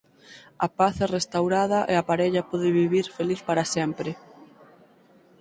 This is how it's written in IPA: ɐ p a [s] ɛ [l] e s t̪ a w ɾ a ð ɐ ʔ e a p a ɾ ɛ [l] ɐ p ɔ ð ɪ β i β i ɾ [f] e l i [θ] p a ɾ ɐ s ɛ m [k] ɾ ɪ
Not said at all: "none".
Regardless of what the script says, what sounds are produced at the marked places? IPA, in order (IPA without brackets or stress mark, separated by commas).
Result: θ, r, ʎ, f, θ, p